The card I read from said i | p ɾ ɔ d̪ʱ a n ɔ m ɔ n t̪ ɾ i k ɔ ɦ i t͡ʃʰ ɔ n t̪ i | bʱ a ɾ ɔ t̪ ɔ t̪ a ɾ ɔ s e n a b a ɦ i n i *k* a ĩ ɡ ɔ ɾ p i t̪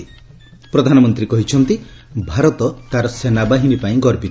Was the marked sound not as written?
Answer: yes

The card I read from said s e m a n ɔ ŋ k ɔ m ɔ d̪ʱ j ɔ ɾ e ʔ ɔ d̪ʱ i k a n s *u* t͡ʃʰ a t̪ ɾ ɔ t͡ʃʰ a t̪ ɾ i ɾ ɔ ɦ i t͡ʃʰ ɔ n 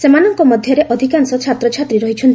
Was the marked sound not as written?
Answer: yes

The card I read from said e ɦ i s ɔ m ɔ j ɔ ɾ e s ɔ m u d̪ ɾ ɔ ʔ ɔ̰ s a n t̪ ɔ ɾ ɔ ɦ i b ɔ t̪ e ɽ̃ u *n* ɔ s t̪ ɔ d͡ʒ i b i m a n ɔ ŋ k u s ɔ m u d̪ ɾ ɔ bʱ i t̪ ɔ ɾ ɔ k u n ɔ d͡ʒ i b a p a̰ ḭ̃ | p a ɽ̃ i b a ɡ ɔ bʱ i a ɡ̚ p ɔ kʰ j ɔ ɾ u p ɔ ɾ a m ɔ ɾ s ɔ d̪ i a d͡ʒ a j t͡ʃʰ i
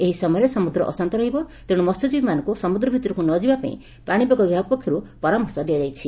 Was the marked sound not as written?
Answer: yes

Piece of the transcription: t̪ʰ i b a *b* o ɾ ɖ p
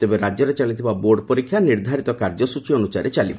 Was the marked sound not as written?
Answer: no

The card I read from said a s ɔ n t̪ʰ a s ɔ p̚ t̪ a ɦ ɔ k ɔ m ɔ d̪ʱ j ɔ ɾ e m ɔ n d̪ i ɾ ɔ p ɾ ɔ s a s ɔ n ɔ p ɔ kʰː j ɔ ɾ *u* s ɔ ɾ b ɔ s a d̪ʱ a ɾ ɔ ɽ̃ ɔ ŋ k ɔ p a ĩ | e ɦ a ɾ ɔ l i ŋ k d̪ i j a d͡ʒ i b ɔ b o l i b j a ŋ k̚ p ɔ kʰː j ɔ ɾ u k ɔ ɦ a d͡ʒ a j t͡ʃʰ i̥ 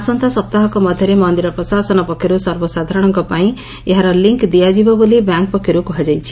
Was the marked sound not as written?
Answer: no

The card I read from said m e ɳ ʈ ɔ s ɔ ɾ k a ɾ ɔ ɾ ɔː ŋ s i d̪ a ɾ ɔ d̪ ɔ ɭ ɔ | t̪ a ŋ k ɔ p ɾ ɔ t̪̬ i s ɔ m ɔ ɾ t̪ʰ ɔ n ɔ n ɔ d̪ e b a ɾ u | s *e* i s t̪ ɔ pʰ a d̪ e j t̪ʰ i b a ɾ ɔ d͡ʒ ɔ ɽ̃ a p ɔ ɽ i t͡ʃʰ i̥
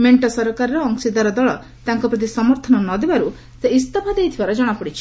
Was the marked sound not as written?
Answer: no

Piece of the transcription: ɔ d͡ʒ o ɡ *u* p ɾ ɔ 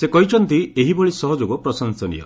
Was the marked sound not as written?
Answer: yes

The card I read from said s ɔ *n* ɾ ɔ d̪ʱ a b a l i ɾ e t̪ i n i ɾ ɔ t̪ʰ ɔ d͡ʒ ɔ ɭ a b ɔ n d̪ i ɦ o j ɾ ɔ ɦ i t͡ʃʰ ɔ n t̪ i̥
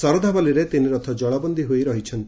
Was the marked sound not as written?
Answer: yes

